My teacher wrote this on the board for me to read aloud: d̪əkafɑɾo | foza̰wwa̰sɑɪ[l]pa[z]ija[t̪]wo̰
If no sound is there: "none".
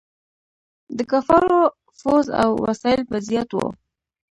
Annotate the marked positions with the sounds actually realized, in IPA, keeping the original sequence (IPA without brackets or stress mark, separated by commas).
l, z, t̪